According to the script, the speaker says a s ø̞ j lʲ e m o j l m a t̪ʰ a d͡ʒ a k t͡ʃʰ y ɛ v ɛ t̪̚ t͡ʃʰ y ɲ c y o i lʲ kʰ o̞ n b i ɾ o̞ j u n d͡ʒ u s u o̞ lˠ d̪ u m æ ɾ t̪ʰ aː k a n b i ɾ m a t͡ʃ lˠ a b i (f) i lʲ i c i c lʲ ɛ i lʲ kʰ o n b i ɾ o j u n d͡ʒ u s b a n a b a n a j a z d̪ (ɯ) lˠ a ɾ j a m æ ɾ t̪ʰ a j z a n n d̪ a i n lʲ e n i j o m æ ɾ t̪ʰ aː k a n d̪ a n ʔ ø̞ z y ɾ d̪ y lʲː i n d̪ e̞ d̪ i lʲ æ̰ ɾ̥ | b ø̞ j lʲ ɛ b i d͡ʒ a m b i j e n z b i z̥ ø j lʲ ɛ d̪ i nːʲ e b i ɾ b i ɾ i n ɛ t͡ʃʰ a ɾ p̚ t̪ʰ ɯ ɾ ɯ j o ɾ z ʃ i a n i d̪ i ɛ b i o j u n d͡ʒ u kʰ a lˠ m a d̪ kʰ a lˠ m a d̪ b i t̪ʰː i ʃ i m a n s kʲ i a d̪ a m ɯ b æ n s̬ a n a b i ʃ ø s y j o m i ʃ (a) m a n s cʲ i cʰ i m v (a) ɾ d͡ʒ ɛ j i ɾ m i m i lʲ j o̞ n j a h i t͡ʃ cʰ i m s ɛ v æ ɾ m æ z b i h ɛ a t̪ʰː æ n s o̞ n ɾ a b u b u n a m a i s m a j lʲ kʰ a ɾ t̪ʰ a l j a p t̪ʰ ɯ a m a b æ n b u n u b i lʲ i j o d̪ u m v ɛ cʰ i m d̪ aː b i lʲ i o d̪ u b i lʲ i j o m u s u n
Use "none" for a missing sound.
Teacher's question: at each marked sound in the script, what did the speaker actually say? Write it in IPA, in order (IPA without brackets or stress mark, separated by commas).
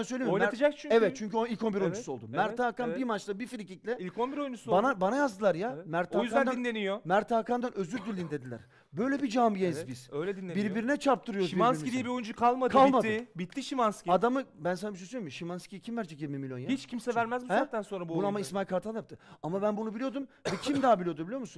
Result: f, ɯ, i, æ